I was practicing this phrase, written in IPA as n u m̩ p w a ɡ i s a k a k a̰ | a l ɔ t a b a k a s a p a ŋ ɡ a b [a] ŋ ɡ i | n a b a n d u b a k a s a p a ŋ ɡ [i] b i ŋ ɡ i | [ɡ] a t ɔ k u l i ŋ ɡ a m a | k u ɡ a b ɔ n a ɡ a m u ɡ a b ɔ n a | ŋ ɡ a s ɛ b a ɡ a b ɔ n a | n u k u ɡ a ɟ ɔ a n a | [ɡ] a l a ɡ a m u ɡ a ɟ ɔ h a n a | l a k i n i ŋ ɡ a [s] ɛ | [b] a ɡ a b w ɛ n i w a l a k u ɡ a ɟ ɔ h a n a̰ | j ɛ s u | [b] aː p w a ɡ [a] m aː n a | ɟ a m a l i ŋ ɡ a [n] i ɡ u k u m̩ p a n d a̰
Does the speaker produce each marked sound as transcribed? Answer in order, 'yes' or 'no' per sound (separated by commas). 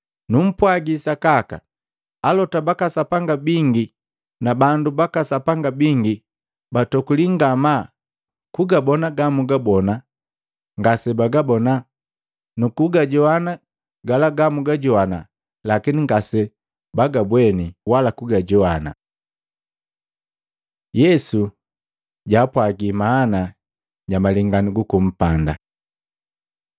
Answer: no, no, no, yes, yes, yes, no, no, yes